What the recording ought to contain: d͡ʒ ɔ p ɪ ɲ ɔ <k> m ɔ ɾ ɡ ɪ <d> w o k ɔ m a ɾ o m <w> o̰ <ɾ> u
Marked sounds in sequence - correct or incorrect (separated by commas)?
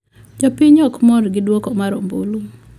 correct, correct, incorrect, incorrect